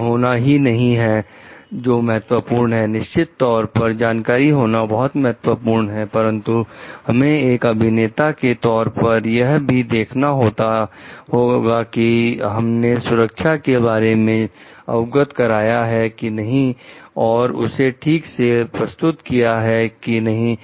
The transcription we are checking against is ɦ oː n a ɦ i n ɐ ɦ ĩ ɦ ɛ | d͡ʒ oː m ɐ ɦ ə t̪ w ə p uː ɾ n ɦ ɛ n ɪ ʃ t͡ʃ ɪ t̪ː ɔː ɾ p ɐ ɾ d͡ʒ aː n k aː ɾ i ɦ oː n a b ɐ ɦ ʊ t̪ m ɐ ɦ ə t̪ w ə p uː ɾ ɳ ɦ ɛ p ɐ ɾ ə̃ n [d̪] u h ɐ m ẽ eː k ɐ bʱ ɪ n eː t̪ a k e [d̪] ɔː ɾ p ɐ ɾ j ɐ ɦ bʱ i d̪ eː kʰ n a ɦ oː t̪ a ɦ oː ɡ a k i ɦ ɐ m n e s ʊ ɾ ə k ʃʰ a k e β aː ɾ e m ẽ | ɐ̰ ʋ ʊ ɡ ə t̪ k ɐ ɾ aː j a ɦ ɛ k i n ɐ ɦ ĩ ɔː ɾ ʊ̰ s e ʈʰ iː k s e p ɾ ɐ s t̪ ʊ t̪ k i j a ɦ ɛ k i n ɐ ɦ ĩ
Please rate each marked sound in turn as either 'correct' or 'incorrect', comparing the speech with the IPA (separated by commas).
incorrect, incorrect